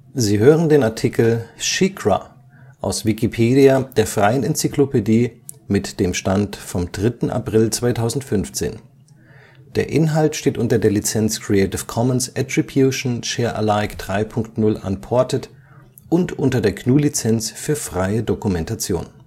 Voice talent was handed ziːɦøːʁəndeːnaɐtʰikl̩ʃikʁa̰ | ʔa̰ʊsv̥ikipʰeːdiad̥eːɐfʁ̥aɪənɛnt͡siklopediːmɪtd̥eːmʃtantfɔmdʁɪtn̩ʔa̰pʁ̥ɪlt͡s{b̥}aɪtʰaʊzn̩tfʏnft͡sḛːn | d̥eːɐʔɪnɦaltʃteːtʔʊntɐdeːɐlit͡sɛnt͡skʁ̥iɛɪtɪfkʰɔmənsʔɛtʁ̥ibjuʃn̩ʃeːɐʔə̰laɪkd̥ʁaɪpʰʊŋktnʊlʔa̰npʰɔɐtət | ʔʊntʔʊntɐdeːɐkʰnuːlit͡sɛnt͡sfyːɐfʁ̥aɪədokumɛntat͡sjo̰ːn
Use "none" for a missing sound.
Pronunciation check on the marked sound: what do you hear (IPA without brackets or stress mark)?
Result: v̥